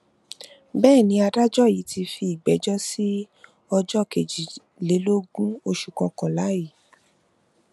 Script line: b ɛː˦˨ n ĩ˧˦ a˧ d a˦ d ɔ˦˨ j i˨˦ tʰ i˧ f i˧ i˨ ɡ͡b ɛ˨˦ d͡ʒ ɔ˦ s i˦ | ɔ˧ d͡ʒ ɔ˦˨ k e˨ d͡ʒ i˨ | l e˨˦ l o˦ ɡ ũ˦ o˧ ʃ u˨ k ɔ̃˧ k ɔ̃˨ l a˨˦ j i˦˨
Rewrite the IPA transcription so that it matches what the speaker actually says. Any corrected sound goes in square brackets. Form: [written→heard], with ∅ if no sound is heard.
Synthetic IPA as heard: b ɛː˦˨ n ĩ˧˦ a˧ d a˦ [d→d͡ʒ] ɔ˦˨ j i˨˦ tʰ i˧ f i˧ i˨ ɡ͡b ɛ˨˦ d͡ʒ ɔ˦ s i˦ | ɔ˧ d͡ʒ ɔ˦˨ k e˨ d͡ʒ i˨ | l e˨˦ l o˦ ɡ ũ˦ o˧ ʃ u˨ k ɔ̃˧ k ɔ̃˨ l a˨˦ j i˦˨